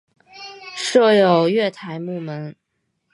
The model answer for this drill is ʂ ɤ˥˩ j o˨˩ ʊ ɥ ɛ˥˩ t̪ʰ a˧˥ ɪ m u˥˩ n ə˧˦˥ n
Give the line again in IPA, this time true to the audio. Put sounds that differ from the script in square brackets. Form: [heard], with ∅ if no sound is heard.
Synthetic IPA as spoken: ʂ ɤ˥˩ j o˨˩ ʊ ɥ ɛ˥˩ t̪ʰ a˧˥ ɪ m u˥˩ [m] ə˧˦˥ n